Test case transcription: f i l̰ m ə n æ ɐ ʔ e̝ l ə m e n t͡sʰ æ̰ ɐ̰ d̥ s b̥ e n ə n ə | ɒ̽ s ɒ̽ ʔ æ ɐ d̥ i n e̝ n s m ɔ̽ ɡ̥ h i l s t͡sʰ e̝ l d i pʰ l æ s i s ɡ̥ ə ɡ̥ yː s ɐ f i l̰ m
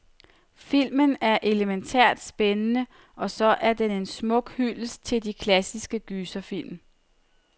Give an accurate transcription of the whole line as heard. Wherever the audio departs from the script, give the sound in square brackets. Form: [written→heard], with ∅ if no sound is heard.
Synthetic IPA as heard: f i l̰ m ə n æ ɐ ʔ e̝ l ə m e n t͡sʰ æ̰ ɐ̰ d̥ s b̥ e n ə n ə | ɒ̽ s ɒ̽ ʔ æ ɐ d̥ [i→e] n e̝ n s m ɔ̽ ɡ̥ h [i→y] l s t͡sʰ e̝ l d i [pʰ→kʰ] l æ s i s ɡ̥ ə ɡ̥ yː s ɐ f i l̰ m